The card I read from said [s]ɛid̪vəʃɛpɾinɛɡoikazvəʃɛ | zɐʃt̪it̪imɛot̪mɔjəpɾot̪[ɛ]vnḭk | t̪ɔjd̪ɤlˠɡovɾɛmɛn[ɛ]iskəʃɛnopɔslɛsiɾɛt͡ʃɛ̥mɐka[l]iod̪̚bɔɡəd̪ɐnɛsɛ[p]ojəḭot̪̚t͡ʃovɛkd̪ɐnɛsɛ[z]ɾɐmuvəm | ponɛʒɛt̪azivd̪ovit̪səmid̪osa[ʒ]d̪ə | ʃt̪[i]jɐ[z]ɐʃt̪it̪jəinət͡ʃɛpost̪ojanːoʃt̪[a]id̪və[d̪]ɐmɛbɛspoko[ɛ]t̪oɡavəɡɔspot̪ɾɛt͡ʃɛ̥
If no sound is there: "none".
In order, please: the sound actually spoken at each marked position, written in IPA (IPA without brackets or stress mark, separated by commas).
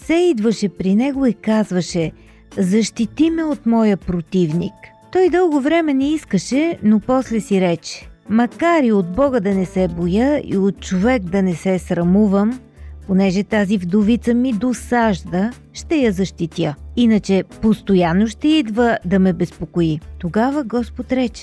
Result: s, i, ɛ, ɾ, b, s, ʒ, ɛ, z, ɛ, d̪, i